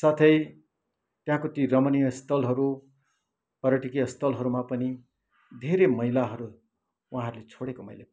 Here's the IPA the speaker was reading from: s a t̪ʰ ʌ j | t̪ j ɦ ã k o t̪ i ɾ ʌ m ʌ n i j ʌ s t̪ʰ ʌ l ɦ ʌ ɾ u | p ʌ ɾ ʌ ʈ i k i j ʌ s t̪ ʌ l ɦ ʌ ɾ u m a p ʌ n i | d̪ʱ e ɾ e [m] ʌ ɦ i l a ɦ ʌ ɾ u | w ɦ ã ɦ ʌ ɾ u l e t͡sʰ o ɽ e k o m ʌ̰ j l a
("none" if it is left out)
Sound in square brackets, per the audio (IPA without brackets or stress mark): m